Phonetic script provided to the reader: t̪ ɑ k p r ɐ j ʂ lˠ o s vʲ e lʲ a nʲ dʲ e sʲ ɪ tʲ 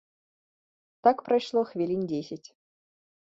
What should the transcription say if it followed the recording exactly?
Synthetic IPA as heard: t̪ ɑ k p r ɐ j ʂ lˠ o x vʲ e lʲ i nʲ dʲ e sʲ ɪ tʲ